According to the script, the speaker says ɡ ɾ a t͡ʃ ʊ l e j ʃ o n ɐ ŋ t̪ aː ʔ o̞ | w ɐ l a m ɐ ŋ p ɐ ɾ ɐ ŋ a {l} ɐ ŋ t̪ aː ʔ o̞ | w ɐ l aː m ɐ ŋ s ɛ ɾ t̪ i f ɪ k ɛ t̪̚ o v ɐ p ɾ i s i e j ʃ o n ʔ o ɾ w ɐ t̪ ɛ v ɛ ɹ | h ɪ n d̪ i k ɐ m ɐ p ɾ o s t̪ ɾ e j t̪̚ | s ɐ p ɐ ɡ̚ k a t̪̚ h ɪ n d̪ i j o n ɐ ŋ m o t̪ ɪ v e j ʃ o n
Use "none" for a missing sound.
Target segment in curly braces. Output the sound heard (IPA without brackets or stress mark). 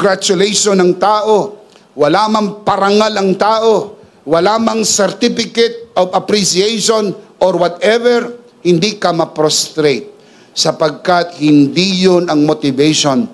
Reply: l